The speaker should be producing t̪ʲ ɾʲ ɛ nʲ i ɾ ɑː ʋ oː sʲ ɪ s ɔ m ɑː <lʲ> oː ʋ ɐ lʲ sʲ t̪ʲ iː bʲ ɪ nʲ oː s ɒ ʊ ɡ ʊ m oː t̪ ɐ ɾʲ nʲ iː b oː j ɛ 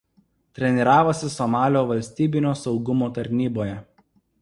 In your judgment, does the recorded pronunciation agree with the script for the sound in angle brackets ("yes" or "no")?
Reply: yes